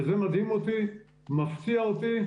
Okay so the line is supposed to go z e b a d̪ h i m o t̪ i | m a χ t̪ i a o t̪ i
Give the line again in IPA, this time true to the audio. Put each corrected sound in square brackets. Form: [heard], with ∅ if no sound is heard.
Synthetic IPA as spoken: z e [m] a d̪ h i m o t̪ i | m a [f] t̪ i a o t̪ i

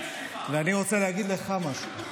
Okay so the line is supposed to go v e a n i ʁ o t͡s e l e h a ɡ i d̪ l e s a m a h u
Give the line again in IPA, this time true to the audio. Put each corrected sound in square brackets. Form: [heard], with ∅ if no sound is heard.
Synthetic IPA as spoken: v e a n i ʁ o t͡s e l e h a ɡ i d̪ l e [χ] a m a [ʃ] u

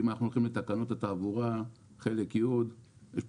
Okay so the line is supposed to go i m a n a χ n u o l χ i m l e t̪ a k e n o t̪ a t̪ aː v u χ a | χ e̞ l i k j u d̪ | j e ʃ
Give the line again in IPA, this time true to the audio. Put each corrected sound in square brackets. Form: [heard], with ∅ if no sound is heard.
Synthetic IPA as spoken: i m a n a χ n u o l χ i m l e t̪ a k [a] n o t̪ a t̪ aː v u [ʁ] a | χ e̞ l [e] k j u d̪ | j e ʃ

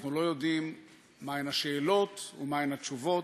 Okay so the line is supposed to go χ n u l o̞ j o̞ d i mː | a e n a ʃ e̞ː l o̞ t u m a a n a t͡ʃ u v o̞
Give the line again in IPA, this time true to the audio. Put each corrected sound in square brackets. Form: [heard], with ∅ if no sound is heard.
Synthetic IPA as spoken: χ n u l o̞ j o̞ d i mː | a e n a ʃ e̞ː l o̞ t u m a [e] n a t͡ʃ u v o̞

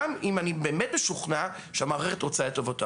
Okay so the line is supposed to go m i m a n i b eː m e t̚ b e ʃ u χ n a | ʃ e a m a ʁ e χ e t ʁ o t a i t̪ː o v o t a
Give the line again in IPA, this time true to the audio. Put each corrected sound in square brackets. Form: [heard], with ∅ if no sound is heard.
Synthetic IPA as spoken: m i m a n i b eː m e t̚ b e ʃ u χ n a | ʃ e a m a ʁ e χ e t ʁ o [t͡s] a [e] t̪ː o v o t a

